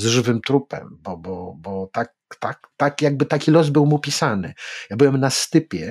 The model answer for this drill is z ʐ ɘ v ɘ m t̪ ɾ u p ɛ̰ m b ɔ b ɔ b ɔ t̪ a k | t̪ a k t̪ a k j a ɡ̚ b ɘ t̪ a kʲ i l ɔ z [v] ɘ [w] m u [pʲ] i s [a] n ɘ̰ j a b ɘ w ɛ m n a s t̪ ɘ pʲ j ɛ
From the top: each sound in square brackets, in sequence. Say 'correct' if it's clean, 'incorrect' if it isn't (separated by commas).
incorrect, correct, correct, correct